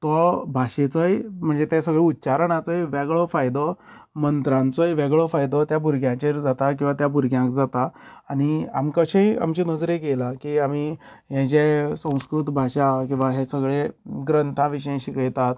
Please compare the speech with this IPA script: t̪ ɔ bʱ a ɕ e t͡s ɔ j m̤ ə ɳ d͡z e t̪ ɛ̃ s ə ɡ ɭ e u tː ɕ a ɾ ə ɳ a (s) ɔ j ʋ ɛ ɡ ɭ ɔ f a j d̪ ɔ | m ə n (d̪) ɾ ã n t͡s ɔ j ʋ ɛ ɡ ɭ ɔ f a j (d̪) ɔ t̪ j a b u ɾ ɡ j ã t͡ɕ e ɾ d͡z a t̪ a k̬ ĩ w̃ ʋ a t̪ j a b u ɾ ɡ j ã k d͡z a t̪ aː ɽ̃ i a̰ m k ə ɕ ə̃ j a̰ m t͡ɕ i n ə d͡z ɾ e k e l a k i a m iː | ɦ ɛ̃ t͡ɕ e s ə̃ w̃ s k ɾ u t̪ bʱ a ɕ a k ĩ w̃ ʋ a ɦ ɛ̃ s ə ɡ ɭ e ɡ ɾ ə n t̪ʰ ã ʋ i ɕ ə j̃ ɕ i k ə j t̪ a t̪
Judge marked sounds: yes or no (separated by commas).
no, no, yes